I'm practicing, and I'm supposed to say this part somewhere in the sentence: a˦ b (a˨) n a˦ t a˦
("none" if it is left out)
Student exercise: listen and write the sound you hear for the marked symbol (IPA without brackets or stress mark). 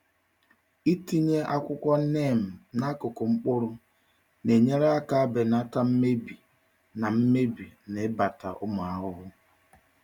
e˨